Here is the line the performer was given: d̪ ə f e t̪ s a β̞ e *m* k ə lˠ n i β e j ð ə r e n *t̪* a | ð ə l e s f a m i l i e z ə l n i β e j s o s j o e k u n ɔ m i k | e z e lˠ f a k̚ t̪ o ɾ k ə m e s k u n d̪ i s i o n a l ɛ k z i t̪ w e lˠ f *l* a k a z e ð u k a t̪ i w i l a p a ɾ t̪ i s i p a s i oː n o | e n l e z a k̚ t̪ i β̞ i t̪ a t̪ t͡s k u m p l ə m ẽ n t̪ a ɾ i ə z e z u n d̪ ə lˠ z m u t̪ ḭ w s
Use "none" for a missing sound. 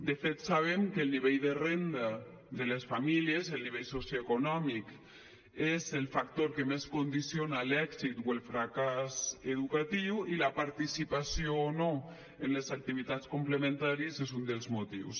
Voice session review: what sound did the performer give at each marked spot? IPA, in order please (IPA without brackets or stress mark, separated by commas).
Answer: m, d̪, ɾ